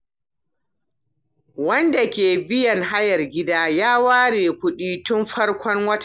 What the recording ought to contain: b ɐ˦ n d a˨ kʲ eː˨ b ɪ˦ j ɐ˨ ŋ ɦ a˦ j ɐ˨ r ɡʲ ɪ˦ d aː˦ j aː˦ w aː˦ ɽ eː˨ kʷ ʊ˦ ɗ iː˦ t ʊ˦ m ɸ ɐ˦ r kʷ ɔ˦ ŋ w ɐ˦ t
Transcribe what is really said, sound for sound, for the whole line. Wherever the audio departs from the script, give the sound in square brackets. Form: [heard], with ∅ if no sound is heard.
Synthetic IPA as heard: [w] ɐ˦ n d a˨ kʲ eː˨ b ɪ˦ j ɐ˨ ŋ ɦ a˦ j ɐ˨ r ɡʲ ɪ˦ d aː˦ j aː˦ w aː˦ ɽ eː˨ kʷ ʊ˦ ɗ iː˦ t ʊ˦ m ɸ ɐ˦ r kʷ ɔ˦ ŋ w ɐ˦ t